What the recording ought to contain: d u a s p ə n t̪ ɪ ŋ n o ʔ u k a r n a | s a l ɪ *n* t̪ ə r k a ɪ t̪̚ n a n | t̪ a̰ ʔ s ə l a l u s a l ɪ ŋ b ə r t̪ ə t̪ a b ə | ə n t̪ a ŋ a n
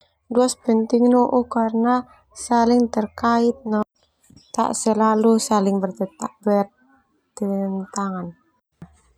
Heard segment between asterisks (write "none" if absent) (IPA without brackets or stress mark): ŋ